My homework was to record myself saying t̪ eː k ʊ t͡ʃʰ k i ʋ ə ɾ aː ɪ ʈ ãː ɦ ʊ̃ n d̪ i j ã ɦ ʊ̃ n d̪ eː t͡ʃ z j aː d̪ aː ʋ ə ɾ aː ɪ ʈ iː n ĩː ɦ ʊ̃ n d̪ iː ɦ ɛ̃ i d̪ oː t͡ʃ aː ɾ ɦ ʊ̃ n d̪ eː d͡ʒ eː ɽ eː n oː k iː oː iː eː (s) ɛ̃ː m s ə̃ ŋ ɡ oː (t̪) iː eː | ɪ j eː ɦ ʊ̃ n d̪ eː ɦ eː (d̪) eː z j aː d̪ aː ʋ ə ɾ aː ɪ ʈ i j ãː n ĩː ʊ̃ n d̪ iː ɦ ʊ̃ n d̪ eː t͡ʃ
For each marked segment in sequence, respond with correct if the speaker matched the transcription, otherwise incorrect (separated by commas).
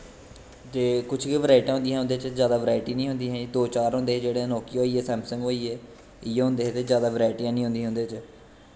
correct, incorrect, incorrect